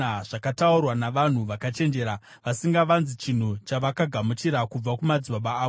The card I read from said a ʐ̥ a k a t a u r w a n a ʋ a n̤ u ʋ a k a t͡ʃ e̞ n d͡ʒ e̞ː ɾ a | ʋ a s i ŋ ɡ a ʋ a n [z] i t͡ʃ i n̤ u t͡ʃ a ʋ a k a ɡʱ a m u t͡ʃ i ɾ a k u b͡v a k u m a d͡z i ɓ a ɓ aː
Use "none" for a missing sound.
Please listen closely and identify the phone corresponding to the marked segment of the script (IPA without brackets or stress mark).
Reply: z